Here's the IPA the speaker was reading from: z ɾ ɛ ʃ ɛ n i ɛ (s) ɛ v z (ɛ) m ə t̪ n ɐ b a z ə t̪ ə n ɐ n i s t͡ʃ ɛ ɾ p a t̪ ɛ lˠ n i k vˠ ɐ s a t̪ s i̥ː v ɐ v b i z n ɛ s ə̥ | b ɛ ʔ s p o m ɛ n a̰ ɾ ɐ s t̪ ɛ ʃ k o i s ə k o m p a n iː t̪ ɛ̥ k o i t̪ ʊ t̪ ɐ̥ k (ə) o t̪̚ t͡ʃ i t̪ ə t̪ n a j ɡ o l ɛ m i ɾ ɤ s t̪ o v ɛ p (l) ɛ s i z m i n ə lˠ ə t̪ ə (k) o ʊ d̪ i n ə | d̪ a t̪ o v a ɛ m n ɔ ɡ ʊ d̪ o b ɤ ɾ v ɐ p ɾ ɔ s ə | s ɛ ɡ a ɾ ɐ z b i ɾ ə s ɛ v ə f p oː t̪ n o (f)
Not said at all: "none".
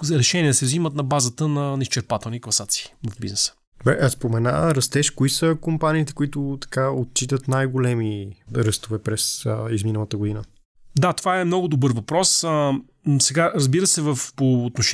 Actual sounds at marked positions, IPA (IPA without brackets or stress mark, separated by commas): s, i, a, ɾ, ɡ, ʃ